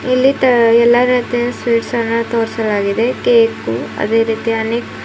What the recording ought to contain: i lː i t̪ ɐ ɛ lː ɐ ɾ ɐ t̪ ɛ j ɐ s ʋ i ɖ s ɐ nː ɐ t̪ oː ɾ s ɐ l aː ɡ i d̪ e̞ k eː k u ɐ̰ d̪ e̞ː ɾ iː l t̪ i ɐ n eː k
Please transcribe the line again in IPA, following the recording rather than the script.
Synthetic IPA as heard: i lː i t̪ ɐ ɛ lː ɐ ɾ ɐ t̪ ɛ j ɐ s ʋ iː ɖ s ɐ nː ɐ t̪ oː ɾ s ɐ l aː ɡ i d̪ e̞ k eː k u ɐ̰ d̪ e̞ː ɾ iː t̪ i ɐ n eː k

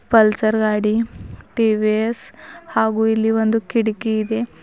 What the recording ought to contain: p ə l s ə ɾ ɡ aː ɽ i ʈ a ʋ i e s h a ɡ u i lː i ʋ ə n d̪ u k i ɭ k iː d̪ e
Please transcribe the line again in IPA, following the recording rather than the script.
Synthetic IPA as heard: p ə l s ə ɾ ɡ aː ɽ i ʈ i ʋ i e s h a ɡ u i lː i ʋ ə n d̪ u k i ɽ k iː d̪ e

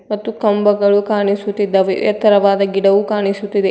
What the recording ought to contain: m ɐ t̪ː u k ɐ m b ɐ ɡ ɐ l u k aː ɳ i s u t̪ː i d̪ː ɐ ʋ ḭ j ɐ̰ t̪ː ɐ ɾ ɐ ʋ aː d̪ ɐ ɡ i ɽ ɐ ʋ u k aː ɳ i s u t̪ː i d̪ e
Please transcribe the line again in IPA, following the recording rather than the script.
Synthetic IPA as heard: m ɐ t̪ː u k ɐ m b ɐ ɡ ɐ ɭ u k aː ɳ i s u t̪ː i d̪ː ɐ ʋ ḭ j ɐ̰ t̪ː ɐ ɾ ɐ ʋ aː d̪ ɐ ɡ i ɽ ɐ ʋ u k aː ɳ i s u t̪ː i d̪ e

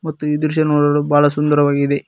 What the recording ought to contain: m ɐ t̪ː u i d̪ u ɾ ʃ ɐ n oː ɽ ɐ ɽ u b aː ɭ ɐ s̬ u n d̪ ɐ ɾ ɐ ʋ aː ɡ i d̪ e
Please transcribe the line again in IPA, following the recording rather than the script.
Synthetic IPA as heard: m ɐ t̪ː u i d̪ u ɾ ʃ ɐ n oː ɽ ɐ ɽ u b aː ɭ ɐ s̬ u n d̪ ɐ ɾ ɐ ʋ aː ɡ i d̪ e

